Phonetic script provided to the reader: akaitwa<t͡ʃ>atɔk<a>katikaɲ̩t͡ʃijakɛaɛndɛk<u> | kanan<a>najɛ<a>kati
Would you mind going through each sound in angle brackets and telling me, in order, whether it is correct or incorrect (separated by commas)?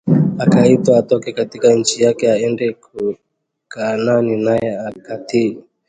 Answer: incorrect, incorrect, correct, incorrect, correct